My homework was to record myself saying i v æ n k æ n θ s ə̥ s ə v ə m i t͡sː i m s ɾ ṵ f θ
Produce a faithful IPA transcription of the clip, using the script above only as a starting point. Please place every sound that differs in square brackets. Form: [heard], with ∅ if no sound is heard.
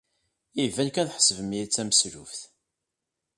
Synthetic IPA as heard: i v æ n k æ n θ [ħ] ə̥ s ə v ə m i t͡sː [æ] m s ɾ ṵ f θ

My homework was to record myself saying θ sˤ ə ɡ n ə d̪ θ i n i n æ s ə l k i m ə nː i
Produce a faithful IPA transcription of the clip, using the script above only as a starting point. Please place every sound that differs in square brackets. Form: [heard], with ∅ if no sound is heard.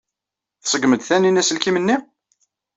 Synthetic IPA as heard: θ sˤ ə ɡ [m] ə d̪ θ [æ] n i n æ s ə l k i m ə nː i

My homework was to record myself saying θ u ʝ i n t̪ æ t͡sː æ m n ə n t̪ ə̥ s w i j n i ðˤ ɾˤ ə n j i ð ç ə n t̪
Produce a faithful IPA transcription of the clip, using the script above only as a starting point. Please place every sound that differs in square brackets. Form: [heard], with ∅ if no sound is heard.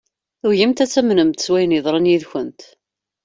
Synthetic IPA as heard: θ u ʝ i [m] t̪ æ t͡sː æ m n ə [m] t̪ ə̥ s w [æ] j n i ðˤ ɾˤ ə n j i ð ç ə n t̪

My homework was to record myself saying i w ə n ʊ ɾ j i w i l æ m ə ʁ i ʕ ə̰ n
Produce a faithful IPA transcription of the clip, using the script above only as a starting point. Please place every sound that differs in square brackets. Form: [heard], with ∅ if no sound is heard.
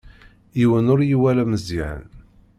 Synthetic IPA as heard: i w ə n ʊ ɾ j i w [æ] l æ m ə [z] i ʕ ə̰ n

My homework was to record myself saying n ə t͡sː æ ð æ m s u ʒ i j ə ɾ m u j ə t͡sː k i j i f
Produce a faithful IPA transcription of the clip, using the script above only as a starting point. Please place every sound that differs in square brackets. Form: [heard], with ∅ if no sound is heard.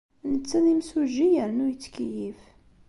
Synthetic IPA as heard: n ə t͡sː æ ð [i] m s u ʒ i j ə ɾ [n] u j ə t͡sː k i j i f

